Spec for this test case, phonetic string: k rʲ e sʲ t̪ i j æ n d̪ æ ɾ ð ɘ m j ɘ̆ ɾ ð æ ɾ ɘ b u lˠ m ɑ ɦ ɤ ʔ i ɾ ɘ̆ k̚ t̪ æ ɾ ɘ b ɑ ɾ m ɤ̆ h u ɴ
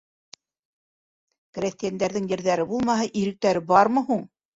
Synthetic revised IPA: k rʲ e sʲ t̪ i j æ n d̪ æ ɾ ð ɘ ŋ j ɘ̆ ɾ ð æ ɾ ɘ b u lˠ m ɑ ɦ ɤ ʔ i ɾ ɘ̆ k̚ t̪ æ ɾ ɘ b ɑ ɾ m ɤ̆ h u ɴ